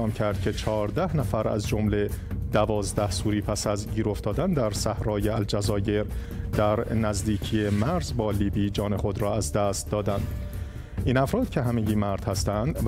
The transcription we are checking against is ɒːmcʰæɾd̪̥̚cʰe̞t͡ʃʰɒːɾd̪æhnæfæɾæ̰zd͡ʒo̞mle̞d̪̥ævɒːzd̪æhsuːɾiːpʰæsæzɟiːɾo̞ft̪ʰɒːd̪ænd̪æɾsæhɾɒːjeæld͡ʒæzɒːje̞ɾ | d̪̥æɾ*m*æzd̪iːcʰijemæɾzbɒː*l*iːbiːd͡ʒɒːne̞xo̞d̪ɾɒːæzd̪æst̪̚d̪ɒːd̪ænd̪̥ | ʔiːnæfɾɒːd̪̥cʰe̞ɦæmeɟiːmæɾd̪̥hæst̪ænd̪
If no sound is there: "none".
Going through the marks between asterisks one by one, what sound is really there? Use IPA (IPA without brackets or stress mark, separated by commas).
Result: n, l